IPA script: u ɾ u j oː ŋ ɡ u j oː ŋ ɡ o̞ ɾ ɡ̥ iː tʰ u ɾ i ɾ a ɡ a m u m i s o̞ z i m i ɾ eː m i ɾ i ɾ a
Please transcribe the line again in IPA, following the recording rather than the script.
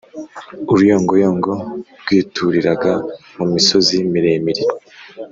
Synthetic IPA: u ɾ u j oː ŋ ɡ o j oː ŋ ɡ o̞ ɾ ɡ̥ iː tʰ u ɾ i ɾ a ɡ a m u m i s o̞ z i m i ɾ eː m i ɾ i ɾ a